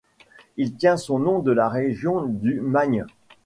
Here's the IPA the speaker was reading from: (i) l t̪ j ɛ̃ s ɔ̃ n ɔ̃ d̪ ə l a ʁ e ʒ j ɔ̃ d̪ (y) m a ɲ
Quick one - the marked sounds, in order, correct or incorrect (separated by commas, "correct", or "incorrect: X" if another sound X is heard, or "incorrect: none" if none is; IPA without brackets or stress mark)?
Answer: correct, correct